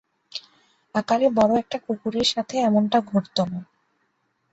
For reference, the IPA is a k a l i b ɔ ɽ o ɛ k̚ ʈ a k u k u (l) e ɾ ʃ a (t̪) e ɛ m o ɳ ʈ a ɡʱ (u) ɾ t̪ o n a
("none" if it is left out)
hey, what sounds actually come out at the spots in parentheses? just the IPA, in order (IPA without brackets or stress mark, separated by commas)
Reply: ɾ, t̪ʰ, o